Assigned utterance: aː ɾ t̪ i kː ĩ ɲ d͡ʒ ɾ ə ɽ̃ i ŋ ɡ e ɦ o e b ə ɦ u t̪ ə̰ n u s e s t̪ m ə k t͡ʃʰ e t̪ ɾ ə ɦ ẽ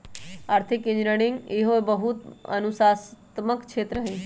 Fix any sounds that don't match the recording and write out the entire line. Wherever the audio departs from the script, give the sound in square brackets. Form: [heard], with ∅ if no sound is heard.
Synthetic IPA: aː ɾ [t̪ʰ] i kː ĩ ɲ d͡ʒ ɾ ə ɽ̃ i ŋ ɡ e ɦ o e b ə ɦ u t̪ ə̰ n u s [a] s t̪ m ə k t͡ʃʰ e t̪ ɾ ə ɦ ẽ